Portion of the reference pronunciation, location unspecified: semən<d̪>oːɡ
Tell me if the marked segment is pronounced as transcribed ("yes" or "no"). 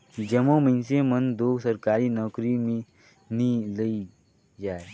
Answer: yes